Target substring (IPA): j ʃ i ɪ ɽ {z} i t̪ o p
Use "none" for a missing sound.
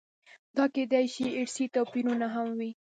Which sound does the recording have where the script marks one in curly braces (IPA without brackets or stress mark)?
s